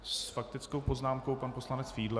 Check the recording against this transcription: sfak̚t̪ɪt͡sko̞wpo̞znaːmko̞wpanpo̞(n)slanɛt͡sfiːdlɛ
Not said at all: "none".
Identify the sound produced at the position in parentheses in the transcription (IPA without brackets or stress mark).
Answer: none